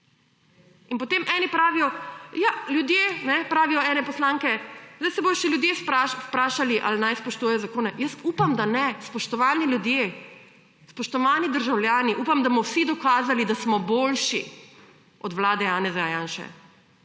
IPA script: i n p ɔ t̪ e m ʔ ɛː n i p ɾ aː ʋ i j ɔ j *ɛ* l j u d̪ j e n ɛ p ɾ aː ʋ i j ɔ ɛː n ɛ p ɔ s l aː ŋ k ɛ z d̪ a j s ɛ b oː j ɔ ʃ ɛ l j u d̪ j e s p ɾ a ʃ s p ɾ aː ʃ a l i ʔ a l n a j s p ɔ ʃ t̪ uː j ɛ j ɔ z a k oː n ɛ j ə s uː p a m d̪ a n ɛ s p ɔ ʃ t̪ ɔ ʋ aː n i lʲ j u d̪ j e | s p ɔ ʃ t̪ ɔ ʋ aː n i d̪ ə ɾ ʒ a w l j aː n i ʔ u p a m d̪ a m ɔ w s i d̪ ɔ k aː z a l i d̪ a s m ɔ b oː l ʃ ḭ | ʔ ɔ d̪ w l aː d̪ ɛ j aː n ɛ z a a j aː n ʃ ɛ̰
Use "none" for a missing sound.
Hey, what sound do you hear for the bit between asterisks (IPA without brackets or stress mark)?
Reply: a